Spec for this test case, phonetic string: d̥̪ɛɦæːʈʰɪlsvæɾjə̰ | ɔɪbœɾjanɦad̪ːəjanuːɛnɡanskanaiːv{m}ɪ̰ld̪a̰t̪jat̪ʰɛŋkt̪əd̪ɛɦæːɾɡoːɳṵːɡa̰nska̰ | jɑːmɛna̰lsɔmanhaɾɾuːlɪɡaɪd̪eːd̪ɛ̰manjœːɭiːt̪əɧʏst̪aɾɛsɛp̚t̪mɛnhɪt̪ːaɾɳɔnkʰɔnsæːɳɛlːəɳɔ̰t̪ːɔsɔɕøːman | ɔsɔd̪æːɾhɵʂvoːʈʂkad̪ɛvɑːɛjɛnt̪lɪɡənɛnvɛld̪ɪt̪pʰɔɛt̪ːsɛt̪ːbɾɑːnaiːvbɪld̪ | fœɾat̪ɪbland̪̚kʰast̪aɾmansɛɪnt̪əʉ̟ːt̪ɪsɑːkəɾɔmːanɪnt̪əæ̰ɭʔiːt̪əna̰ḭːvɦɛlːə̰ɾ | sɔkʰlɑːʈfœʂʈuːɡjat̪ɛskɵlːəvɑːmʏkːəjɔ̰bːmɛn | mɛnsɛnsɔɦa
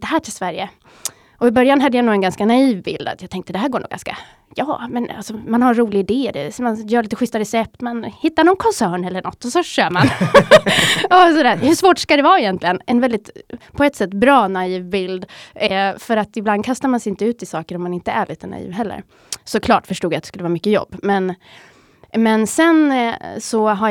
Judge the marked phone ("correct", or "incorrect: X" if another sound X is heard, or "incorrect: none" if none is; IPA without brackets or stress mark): incorrect: b